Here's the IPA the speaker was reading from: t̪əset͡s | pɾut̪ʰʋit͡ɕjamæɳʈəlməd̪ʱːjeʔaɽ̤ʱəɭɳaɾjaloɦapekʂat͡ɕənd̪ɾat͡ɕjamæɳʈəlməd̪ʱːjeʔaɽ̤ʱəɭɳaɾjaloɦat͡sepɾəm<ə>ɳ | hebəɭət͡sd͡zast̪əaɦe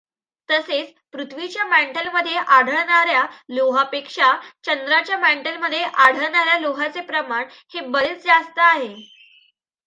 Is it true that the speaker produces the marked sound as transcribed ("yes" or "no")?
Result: no